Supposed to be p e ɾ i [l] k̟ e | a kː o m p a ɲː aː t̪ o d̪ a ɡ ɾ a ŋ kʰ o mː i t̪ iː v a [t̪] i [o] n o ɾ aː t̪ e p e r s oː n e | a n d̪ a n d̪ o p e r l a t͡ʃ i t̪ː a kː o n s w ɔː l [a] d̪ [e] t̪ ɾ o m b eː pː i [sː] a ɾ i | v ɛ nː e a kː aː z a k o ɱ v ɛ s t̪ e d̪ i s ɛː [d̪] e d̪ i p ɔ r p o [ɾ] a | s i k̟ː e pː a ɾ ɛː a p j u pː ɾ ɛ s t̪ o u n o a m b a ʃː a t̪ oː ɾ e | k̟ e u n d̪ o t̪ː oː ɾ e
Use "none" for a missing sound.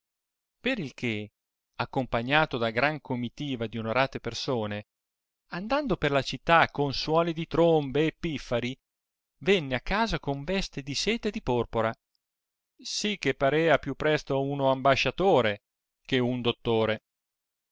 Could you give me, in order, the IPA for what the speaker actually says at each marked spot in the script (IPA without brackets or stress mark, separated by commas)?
l, d̪, o, i, i, fː, t̪, ɾ